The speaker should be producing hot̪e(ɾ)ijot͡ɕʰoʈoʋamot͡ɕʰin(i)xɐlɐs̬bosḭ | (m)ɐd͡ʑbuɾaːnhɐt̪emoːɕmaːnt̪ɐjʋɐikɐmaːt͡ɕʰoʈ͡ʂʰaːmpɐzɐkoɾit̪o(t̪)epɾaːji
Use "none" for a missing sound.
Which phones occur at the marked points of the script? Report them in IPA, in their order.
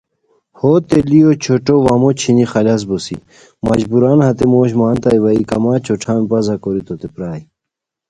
l, i, m, t̪

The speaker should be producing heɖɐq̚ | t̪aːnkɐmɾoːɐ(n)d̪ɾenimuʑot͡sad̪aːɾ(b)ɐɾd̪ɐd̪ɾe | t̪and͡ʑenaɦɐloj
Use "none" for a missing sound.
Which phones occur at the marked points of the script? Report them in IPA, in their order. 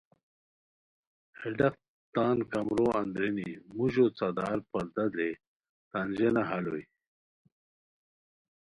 n, p

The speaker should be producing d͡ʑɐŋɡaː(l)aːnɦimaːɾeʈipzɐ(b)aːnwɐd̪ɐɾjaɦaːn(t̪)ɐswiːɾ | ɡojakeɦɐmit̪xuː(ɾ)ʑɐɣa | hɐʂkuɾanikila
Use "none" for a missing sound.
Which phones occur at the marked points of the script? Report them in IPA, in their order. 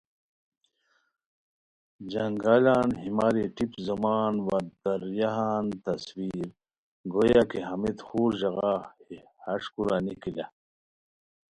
l, m, t̪, ɾ

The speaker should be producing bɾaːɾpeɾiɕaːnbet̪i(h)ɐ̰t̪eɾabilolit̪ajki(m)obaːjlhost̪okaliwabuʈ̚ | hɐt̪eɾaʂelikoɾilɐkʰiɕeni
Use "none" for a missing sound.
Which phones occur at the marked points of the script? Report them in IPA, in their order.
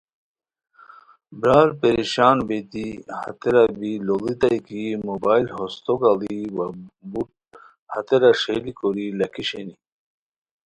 h, m

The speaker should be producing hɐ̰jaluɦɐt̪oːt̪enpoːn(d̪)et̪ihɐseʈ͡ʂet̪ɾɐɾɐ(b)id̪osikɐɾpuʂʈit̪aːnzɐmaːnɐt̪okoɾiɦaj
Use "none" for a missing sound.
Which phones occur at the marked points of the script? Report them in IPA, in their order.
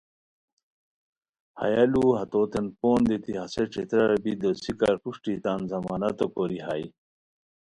d̪, b

